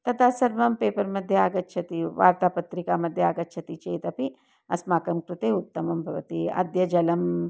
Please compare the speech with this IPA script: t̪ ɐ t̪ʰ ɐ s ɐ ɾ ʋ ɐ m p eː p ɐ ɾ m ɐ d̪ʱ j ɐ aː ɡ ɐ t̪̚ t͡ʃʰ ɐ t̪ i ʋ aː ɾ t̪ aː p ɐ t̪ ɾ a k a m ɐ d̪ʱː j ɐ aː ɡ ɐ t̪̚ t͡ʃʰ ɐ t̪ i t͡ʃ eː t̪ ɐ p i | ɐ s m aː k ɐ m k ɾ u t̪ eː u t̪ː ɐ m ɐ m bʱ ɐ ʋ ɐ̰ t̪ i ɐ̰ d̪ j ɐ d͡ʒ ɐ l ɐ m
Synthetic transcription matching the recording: t̪ ɐ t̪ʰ a s ɐ ɾ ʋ ɐ m p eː p ɐ ɾ m ɐ d̪ʱ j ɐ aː ɡ ɐ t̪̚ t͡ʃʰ ɐ t̪ i ʋ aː ɾ t̪ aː p ɐ t̪ ɾ i k a m ɐ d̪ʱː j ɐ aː ɡ ɐ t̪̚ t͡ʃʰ ɐ t̪ i t͡ʃ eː t̪ ɐ p i | ɐ s m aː k ɐ m k ɾ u t̪ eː u t̪ː ɐ m ɐ m bʱ ɐ ʋ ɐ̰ t̪ i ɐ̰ d̪ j ɐ d͡ʒ ɐ l ɐ m